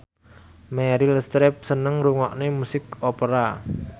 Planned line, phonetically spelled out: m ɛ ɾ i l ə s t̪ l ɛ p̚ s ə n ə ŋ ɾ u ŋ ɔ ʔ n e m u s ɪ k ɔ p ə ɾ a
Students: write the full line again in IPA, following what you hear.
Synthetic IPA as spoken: m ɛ ɾ i l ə s t̪ ɾ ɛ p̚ s ə n ə ŋ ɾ u ŋ ɔ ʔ n e m u s ɪ k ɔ p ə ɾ a